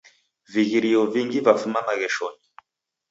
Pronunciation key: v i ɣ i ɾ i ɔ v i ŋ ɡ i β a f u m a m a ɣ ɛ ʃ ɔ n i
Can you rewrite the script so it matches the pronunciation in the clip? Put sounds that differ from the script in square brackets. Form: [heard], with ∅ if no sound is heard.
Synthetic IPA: v i ɣ i ɾ i ɔ v i ŋ ɡ i [v] a f u m a m a ɣ ɛ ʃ ɔ n i